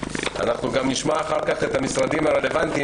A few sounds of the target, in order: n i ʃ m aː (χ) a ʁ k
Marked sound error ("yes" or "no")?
no